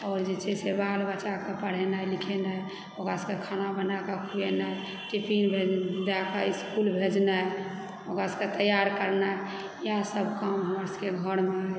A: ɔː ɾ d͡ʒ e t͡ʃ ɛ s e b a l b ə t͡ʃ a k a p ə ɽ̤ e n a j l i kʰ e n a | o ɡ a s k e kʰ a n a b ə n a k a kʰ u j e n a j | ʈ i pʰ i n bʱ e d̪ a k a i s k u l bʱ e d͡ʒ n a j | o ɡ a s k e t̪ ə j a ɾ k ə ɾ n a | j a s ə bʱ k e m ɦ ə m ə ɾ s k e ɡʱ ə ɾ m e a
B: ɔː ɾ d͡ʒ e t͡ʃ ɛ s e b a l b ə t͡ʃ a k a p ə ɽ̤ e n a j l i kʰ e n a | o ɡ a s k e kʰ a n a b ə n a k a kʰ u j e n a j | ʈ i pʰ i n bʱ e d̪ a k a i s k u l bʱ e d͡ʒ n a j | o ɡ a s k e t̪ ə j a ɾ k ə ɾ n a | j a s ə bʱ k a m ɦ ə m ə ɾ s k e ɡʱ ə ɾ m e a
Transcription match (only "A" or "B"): B